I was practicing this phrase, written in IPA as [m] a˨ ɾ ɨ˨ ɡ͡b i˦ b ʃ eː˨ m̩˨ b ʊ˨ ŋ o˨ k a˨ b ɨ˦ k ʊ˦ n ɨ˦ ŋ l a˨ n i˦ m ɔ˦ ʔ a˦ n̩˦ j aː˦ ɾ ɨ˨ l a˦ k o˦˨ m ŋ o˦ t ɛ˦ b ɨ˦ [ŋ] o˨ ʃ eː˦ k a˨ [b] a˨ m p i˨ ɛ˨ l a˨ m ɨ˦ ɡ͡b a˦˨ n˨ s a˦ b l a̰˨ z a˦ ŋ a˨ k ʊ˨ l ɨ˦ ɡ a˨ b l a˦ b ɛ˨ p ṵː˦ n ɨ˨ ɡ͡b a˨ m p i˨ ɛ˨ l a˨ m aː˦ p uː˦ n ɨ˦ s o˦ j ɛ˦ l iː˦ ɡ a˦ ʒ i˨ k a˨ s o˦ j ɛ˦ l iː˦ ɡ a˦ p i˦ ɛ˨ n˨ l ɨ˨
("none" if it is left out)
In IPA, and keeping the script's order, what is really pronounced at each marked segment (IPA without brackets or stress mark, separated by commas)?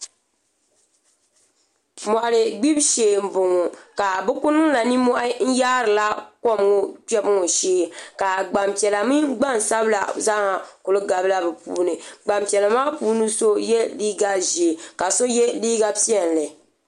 m, ŋ, ɡ͡b